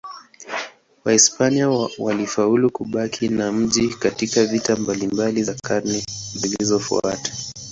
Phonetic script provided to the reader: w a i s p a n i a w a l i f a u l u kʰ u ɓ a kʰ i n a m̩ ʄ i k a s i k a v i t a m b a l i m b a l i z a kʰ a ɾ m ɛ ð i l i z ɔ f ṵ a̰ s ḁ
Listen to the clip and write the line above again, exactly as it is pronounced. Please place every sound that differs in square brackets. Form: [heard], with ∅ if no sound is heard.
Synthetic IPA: w a i s p a n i a w a l i f a u l u [k] u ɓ a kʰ i n a m̩ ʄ i k a [t] i k a v i t a m b a l i m b a l i z a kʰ a ɾ [n] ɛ [z] i l i z ɔ f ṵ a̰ [t] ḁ